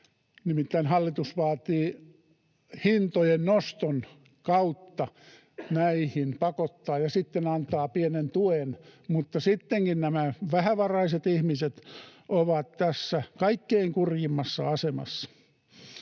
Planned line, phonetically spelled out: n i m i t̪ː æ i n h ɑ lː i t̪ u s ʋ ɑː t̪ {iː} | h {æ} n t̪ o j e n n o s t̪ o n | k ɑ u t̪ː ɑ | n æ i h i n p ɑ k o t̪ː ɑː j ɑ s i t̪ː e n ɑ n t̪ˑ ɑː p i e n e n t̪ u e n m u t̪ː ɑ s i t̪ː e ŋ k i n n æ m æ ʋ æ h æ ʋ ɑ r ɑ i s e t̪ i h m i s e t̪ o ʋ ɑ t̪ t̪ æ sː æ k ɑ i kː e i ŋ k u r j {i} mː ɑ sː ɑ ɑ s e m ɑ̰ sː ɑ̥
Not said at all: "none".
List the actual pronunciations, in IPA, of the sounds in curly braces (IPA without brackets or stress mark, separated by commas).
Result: iː, i, i